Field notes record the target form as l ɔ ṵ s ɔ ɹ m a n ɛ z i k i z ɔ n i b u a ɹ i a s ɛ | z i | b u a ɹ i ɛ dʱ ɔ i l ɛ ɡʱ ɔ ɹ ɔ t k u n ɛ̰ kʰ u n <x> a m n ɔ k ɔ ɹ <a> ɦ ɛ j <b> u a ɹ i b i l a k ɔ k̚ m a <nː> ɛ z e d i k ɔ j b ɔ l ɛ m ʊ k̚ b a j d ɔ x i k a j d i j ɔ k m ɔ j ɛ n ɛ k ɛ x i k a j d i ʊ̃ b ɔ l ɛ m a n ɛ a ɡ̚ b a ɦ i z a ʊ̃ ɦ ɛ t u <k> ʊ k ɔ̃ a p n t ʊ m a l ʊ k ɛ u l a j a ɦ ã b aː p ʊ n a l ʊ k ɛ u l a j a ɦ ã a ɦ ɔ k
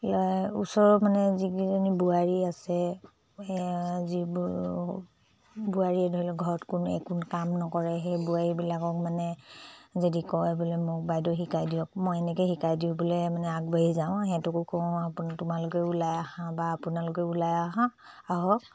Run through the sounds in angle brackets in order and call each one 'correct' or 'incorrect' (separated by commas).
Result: incorrect, incorrect, correct, incorrect, correct